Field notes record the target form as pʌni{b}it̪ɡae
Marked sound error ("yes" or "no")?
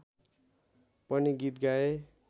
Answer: yes